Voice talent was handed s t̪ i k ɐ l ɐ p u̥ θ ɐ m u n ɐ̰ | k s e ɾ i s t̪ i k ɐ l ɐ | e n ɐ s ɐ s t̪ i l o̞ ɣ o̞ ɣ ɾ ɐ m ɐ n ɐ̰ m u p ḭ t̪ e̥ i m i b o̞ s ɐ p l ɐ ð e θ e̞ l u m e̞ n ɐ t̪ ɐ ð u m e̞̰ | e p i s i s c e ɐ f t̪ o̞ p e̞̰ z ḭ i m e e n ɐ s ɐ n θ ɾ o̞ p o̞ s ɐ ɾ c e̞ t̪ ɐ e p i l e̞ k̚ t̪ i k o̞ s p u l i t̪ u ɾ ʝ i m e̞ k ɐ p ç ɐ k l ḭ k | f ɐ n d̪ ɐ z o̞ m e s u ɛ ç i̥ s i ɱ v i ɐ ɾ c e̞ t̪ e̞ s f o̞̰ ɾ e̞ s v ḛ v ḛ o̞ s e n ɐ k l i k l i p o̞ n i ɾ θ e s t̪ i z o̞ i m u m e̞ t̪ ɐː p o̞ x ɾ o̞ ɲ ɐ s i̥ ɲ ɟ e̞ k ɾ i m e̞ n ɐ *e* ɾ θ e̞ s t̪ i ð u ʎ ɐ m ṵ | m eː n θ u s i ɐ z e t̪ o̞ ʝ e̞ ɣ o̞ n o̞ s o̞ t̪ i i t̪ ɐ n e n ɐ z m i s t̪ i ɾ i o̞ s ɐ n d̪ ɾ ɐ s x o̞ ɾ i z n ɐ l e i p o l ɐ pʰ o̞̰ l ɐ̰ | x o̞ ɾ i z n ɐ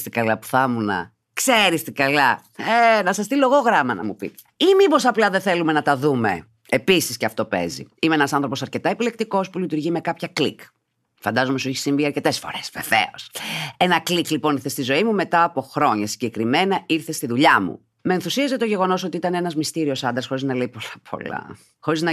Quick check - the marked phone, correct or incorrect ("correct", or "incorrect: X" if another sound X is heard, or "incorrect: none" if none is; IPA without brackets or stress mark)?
incorrect: i